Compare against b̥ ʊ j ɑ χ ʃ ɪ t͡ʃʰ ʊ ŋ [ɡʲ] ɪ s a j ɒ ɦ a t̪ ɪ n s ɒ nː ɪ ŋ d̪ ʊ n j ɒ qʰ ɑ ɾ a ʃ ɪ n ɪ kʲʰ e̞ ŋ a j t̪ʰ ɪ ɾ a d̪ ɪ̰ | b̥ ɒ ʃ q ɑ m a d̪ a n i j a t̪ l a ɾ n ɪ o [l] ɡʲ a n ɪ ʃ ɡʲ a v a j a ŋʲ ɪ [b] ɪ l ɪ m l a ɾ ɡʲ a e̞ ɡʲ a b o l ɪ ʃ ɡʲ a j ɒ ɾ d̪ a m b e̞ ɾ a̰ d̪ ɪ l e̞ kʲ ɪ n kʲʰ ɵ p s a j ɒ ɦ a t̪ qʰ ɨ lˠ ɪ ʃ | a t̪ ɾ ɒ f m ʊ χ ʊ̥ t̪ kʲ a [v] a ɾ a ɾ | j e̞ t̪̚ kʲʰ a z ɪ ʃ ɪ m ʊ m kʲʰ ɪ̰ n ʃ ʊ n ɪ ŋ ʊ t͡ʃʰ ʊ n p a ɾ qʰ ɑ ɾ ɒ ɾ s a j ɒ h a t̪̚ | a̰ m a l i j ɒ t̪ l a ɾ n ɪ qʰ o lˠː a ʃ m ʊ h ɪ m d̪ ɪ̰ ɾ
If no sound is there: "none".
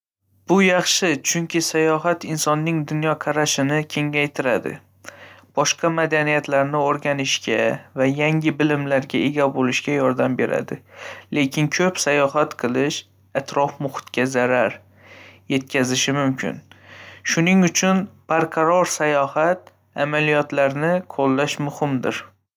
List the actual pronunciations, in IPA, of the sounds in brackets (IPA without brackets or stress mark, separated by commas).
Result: kʲ, ɾ, b, z